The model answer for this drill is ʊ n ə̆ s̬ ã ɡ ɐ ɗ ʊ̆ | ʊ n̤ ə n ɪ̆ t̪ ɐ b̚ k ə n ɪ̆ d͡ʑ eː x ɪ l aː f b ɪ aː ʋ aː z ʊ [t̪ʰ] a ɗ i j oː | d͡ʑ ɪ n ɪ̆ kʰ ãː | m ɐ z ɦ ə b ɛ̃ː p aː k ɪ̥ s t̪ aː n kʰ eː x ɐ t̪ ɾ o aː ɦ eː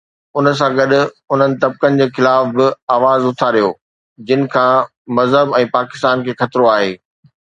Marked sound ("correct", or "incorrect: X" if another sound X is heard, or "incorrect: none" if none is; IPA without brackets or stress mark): correct